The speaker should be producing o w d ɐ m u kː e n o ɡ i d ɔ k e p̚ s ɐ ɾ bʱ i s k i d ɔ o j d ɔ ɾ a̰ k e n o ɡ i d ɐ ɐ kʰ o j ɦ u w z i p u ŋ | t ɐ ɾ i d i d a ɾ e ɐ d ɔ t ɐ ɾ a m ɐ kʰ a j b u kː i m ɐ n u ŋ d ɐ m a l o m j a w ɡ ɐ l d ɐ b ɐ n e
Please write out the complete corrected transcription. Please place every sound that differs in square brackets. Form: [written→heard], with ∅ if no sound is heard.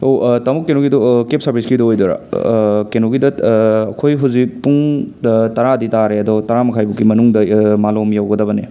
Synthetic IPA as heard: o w [d→t] ɐ m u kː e n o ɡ i d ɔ k e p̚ s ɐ ɾ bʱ i s k i d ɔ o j d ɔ ɾ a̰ k e n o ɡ i d ɐ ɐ kʰ o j ɦ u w z i p u ŋ | t ɐ ɾ [i→a] d i [d→t] a ɾ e ɐ d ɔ t ɐ ɾ a m ɐ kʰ a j b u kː i m ɐ n u ŋ d ɐ m a l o m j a w ɡ ɐ [l→∅] d ɐ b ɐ n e